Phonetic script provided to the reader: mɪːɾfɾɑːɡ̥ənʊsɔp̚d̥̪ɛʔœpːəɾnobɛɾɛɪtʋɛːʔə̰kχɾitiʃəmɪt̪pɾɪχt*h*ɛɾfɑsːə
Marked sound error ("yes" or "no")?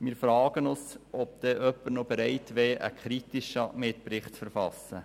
yes